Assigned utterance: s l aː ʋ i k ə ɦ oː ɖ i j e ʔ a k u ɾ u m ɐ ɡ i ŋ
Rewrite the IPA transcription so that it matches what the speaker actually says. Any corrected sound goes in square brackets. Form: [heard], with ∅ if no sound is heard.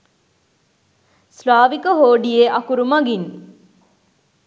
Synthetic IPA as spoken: s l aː ʋ i k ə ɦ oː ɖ i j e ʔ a k u ɾ u m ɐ ɡ i [n]